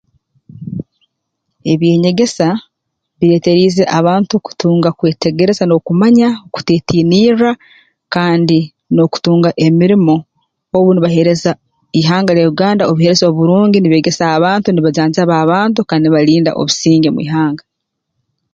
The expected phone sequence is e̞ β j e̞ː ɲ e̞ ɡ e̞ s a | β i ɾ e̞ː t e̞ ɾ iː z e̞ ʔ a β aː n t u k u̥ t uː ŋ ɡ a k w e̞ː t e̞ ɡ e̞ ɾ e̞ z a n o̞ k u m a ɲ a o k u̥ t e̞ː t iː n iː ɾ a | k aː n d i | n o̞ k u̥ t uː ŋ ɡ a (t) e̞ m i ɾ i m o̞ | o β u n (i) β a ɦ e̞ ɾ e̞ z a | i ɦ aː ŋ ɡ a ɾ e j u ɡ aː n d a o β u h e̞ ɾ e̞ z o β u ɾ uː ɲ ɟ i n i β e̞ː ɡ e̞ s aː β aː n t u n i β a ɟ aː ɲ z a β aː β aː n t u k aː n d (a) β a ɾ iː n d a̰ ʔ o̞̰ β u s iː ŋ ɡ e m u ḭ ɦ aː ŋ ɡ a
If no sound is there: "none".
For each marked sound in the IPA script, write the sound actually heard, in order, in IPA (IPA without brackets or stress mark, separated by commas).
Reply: ʔ, i, i